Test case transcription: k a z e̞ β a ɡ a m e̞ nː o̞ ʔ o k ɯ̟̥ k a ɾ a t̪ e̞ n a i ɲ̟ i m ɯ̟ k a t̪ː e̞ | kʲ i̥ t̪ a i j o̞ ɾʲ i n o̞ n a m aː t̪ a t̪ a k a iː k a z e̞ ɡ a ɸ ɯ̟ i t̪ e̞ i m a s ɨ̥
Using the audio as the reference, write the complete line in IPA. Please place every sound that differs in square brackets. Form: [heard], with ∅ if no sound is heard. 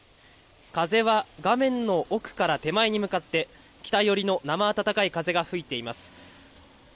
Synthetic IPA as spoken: k a z e̞ β a ɡ a m [ẽ̞] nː o̞ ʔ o k ɯ̟̥ k a ɾ a t̪ e̞ [m] a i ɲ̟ i m ɯ̟ k a t̪ː e̞ | kʲ i̥ t̪ a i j o̞ ɾʲ i n o̞ n a m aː t̪ a t̪ a k a [i] k a z e̞ ɡ a ɸ ɯ̟ i t̪ e̞ i m a s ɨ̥